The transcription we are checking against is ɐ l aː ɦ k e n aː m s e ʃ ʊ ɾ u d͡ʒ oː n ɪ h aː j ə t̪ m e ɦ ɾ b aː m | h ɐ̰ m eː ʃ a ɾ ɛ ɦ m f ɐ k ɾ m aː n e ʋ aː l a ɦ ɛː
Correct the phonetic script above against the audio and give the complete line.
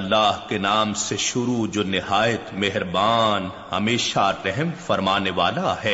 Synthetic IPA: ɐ lː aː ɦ k e n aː m s e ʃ ʊ ɾ u d͡ʒ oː n ɪ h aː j ə t̪ m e ɦ ɾ b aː n | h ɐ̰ m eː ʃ a ɾ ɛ ɦ m f ɐ ɾ m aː n e ʋ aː l a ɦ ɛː